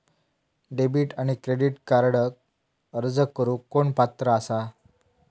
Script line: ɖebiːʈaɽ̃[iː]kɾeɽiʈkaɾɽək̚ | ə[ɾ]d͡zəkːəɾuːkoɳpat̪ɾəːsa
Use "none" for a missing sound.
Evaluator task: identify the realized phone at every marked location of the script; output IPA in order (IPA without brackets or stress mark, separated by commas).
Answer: i, ɾ